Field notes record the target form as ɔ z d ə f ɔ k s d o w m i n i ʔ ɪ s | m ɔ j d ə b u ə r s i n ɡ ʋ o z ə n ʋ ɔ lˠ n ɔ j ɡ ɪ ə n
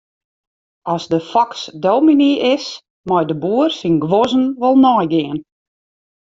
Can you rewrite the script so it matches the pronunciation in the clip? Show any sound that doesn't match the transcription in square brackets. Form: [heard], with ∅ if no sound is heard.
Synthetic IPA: ɔ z d ə f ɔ k s d o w m i n i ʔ ɪ s | m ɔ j d ə b u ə r s i n ɡ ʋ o z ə n ʋ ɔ lˠ n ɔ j ɡ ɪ ə n